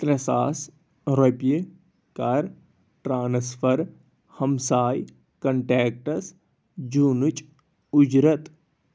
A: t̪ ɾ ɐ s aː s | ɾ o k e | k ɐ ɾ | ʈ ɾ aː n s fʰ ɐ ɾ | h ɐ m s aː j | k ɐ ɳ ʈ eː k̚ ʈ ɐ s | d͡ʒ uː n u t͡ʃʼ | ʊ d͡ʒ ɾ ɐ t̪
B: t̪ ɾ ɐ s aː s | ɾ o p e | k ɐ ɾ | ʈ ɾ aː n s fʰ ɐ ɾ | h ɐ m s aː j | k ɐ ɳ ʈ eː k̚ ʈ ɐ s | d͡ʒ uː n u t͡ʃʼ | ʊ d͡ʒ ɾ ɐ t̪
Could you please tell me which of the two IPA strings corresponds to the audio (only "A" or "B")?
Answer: B